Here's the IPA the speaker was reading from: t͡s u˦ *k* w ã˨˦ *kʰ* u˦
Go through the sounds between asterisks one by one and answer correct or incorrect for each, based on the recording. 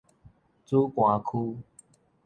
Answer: correct, correct

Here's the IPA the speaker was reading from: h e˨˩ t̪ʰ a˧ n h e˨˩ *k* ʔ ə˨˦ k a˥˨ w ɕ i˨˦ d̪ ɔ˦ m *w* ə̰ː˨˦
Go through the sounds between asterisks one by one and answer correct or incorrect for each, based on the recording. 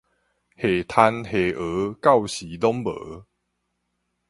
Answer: incorrect: none, incorrect: b

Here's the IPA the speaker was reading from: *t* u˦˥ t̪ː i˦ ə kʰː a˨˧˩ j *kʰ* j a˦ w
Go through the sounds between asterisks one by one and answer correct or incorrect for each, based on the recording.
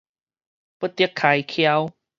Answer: incorrect: p, correct

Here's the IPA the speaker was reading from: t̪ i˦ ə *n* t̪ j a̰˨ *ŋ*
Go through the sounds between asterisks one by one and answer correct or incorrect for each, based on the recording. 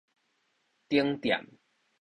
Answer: incorrect: ŋ, incorrect: m

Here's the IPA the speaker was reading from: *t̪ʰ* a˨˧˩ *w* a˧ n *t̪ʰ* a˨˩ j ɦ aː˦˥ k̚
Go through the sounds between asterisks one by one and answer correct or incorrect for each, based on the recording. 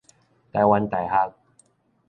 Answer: incorrect: t̪, correct, incorrect: t̪

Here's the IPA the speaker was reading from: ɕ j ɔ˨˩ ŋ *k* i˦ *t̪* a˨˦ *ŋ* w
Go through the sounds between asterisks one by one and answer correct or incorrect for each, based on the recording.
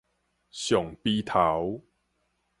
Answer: incorrect: p, incorrect: t̪ʰ, incorrect: none

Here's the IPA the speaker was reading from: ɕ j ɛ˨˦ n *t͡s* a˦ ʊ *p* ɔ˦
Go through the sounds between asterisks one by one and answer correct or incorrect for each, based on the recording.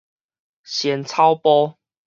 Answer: incorrect: t͡sʰ, correct

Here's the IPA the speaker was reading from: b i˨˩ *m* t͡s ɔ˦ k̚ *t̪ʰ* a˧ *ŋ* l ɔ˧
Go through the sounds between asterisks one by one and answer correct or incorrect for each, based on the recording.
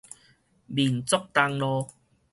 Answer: incorrect: n, incorrect: t̪, correct

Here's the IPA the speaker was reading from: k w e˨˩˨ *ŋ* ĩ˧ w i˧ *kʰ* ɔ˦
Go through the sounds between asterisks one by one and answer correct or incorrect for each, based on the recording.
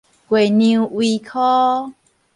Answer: incorrect: n, correct

